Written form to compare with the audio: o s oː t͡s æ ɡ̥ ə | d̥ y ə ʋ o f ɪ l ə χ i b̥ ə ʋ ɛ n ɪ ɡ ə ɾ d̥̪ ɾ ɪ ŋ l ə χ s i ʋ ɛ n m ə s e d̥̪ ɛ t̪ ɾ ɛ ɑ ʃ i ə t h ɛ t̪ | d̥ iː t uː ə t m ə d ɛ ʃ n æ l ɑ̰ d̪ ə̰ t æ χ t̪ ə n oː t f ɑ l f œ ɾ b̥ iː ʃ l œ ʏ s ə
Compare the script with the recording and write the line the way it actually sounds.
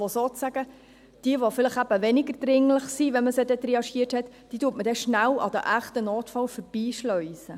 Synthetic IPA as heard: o s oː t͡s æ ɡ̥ ə | d̥ i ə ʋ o f ɪ l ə χ æ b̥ ə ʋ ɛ n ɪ ɡ ə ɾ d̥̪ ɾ ɪ ŋ l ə χ s i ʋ ɛ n m ə s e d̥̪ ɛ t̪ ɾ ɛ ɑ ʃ i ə t h ɛ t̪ | d̥ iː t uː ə t m ə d ɛ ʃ n æ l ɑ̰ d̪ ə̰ ʔ æ χ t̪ ə n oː t f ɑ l f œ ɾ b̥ iː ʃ l œ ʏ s ə